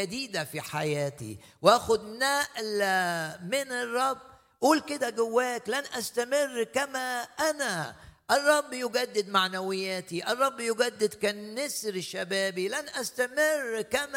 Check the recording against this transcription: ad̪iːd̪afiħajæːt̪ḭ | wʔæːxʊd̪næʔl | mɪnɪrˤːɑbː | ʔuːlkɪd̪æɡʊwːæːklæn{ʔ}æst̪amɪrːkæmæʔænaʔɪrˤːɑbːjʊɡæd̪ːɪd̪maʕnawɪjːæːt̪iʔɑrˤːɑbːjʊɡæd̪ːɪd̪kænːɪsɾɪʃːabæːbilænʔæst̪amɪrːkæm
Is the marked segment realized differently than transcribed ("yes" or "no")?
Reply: no